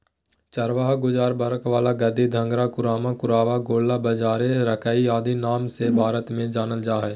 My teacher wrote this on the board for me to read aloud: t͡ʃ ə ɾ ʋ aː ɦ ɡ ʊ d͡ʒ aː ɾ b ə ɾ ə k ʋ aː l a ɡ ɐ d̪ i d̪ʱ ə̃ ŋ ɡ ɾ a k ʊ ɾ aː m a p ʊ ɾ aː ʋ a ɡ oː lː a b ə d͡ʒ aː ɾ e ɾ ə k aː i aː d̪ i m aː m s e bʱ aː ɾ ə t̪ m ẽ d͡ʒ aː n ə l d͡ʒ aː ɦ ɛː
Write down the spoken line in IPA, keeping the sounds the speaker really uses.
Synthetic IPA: t͡ʃ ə ɾ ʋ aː ɦ ɡ ʊ d͡ʒ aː ɾ b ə ɾ ə k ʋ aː l a ɡ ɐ d̪ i d̪ʱ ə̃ ŋ ɡ ɾ a k ʊ ɾ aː m a k ʊ ɾ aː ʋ a ɡ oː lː a b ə d͡ʒ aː ɾ e ɾ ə k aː i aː d̪ i n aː m s e bʱ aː ɾ ə t̪ m ẽ d͡ʒ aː n ə l d͡ʒ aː ɦ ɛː